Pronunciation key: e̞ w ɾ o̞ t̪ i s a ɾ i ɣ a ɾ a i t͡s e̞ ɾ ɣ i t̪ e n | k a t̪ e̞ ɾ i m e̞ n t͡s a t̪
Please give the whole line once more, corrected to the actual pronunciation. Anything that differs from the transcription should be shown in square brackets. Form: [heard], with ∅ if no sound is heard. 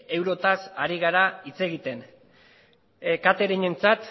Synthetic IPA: e̞ w ɾ o̞ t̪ [a] s a ɾ i ɣ a ɾ a i t͡s e̞ [∅] ɣ i t̪ e n | k a t̪ e̞ ɾ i [ɲ] e̞ n t͡s a t̪

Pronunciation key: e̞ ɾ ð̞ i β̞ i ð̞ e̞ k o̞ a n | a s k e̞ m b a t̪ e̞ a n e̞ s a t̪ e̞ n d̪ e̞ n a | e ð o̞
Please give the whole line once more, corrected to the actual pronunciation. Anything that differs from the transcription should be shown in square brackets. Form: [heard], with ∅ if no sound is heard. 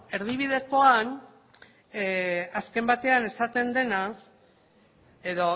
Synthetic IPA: e̞ ɾ ð̞ i β̞ i ð̞ e̞ k o̞ a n | a s k e̞ m b a t̪ e̞ a n e̞ s a t̪ e̞ n d̪ e̞ n a | e ð o̞

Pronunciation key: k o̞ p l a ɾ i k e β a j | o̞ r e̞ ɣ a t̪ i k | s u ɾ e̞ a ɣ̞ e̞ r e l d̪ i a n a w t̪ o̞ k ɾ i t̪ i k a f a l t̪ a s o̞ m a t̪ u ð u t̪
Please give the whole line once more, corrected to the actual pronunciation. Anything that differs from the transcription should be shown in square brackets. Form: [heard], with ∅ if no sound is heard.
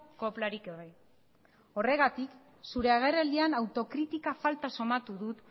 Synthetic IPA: k o̞ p l a ɾ i k e β a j | o̞ r e̞ ɣ a t̪ i k | s u ɾ e̞ a ɣ̞ e̞ r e l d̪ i a n a w t̪ o̞ k ɾ i t̪ i k a f a l t̪ a s o̞ m a t̪ u ð u t̪

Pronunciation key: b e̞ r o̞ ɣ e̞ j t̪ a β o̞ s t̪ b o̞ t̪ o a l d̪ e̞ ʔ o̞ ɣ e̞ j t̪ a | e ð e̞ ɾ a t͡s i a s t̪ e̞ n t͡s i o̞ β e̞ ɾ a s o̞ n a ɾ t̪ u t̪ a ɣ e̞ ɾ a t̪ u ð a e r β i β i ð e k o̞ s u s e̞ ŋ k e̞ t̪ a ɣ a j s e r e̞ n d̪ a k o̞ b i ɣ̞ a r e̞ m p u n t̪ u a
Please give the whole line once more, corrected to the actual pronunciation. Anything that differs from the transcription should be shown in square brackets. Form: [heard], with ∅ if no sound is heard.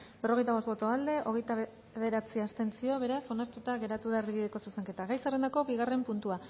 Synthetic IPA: b e̞ r o̞ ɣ e̞ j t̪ a β o̞ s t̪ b o̞ t̪ o a l d̪ e̞ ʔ o̞ ɣ e̞ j t̪ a | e ð e̞ ɾ a t͡s i a s t̪ e̞ n t͡s i o̞ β e̞ ɾ a s o̞ n a ɾ t̪ u t̪ a ɣ e̞ ɾ a t̪ u ð a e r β i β i ð e k o̞ s u s e̞ ŋ k e̞ t̪ a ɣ a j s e r e̞ n d̪ a k o̞ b i ɣ̞ a r e̞ m p u n t̪ u a

